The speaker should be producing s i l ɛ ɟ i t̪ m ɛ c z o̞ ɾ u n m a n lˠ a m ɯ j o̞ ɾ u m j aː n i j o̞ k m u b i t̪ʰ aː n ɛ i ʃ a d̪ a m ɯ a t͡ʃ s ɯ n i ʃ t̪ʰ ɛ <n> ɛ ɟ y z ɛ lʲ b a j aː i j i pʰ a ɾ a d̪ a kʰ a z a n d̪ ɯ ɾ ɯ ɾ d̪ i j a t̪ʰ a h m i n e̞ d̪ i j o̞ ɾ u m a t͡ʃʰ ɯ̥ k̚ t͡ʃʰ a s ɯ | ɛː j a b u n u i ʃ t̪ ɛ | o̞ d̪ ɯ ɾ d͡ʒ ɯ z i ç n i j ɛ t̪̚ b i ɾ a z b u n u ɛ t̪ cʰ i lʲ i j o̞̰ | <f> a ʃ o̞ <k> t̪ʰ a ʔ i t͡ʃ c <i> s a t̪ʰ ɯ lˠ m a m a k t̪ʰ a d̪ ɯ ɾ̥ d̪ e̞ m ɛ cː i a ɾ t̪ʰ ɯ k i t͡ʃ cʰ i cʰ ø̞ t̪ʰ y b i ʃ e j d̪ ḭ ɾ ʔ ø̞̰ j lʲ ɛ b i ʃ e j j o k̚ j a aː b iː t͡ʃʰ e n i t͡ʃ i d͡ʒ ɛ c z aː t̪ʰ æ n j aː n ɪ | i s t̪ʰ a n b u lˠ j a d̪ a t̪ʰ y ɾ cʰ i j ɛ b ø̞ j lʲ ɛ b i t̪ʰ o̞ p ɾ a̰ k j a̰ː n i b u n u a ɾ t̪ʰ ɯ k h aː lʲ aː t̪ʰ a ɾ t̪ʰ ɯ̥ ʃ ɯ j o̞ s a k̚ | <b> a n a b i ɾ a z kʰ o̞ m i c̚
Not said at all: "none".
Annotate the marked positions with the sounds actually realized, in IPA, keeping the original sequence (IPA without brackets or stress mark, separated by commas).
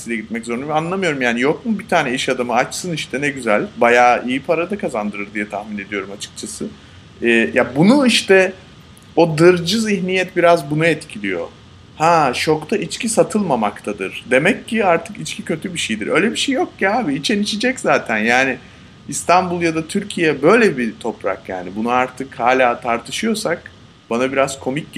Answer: n, h, k, i, b